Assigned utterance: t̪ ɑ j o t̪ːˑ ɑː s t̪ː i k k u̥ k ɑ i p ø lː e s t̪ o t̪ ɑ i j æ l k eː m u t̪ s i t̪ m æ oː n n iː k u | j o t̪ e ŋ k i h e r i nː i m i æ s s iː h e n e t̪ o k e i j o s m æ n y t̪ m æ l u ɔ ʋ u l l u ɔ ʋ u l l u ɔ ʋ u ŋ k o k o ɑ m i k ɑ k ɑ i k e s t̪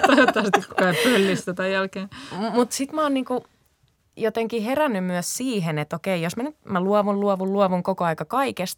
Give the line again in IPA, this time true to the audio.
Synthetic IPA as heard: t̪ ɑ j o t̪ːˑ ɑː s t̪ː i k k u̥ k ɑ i p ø lː i s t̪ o t̪ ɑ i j æ l k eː m u t̪ s i t̪ m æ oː n n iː k u | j o t̪ e ŋ k i h e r æ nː y m y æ s s iː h e n e t̪ o k e i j o s m æ n y t̪ m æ l u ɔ ʋ u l l u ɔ ʋ u l l u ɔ ʋ u ŋ k o k o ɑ i k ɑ k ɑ i k e s t̪